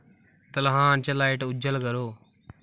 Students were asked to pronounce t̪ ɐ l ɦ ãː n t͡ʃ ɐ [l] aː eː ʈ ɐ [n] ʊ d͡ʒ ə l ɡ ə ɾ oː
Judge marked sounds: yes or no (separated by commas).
yes, no